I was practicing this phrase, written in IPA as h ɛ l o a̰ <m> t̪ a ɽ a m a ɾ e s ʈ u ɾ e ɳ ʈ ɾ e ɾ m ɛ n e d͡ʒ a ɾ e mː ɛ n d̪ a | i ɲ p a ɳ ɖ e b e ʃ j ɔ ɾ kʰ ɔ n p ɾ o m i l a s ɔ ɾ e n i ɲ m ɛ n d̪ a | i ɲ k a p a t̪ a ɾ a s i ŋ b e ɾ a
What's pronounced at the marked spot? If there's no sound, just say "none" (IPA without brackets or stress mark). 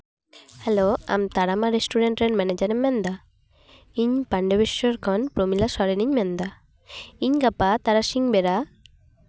m